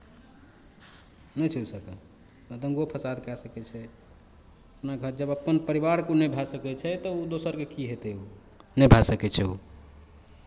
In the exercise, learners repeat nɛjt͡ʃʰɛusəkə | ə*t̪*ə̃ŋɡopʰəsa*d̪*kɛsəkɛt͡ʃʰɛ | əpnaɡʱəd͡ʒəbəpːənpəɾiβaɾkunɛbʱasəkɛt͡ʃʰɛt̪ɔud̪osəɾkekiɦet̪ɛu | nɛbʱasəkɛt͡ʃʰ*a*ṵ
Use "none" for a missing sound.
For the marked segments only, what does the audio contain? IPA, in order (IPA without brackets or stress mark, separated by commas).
d̪, d̪, ɛ